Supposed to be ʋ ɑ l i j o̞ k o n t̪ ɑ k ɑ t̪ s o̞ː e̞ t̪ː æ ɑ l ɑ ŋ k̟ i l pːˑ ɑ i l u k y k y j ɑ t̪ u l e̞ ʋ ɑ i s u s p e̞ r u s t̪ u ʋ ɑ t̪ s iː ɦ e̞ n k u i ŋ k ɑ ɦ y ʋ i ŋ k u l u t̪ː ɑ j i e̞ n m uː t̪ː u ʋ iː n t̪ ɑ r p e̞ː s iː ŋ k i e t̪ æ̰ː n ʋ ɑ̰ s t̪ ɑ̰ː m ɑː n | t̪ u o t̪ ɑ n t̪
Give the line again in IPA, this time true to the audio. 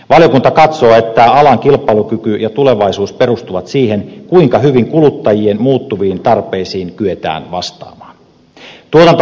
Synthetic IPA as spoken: ʋ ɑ l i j o̞ k u n t̪ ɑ k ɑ t̪ s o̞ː e̞ t̪ː æ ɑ l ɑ ŋ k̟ i l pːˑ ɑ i l u k y k y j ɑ t̪ u l e̞ ʋ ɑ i s uː s p e̞ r u s t̪ u ʋ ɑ t̪ s iː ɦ e̞ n k u i ŋ k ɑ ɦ y ʋ i ŋ k u l u t̪ː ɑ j i e̞ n m uː t̪ː u ʋ iː n t̪ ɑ r p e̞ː s iː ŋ k y e t̪ æ̰ː n ʋ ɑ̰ s t̪ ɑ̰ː m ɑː n | t̪ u o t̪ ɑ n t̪